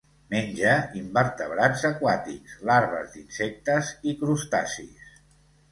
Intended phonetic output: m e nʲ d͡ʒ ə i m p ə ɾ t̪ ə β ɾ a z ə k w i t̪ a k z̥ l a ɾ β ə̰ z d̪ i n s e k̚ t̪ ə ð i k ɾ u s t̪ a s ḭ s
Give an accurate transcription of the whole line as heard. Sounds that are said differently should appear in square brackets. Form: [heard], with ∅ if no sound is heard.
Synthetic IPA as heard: m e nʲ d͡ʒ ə i m [b] ə ɾ t̪ ə β ɾ a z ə k w [a] t̪ [i] k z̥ l a ɾ β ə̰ z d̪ i n s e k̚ t̪ ə [z] i k ɾ u s t̪ a s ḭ s